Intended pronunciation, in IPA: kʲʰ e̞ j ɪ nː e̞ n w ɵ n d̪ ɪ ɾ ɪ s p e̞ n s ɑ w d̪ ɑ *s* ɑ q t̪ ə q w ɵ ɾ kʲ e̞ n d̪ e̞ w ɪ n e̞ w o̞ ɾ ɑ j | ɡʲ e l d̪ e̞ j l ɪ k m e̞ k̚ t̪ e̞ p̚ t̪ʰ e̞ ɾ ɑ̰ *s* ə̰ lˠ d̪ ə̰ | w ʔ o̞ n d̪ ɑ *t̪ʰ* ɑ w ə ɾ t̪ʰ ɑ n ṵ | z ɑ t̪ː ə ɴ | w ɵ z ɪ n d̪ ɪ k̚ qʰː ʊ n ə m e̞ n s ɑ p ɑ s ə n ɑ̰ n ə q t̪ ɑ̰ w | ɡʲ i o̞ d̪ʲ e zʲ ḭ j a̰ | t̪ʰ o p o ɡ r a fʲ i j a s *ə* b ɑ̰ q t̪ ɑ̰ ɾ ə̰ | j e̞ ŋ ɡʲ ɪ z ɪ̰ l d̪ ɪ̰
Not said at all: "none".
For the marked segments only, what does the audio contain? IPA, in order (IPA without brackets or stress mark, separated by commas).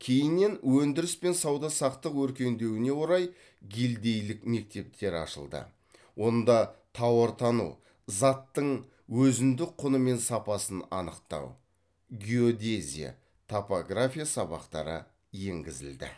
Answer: s, ʃ, t̪ʰ, ɑ